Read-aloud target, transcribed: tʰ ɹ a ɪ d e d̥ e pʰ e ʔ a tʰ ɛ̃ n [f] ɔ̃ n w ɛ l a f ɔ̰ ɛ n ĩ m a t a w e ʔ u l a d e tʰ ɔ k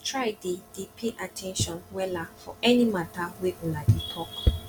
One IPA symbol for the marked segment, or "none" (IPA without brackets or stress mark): ʃ